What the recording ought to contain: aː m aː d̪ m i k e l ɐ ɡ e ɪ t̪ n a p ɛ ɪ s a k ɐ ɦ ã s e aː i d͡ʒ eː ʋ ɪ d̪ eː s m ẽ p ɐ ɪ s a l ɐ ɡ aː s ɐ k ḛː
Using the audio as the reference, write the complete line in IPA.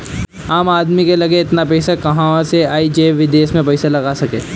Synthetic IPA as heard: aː m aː d̪ m i k e l ɐ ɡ e ɪ t̪ n a p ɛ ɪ s a k ɐ ɦ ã s e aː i d͡ʒ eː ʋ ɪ d̪ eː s m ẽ p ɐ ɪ s a l ɐ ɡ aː s ɐ k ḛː